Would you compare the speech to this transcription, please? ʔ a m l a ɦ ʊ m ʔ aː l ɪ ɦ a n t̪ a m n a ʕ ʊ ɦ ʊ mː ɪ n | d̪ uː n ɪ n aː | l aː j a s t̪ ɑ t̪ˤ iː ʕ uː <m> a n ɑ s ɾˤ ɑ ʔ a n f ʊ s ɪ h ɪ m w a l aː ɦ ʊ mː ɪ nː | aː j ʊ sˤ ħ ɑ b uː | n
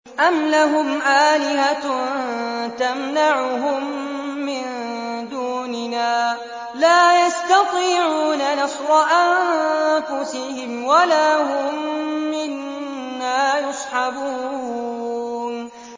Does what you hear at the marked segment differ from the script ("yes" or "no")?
yes